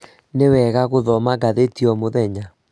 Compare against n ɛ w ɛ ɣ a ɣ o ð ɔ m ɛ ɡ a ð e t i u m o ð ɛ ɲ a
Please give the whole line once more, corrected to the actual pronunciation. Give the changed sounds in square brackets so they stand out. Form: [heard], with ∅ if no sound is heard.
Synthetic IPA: n [e] w ɛ ɣ a ɣ o ð ɔ m [a] ɡ a ð e t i [ɔ] m o ð ɛ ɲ a